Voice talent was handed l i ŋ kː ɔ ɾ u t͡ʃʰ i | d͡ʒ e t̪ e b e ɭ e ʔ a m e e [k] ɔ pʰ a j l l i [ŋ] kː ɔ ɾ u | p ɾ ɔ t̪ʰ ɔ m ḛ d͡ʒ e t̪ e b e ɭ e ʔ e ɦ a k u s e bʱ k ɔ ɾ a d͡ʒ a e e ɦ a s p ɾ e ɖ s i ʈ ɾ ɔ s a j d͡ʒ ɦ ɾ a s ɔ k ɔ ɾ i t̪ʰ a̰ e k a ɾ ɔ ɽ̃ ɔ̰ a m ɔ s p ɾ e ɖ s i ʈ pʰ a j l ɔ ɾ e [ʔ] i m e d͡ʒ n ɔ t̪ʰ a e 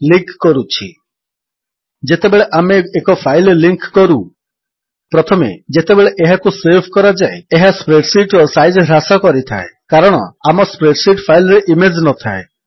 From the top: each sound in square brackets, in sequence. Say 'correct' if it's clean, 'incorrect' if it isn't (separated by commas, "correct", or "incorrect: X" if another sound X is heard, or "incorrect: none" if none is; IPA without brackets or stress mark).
correct, correct, correct